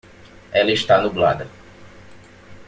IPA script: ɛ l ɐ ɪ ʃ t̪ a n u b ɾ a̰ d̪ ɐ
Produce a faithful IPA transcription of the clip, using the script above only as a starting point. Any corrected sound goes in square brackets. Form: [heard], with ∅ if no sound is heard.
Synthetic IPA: ɛ l ɐ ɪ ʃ t̪ a n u b [l] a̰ d̪ ɐ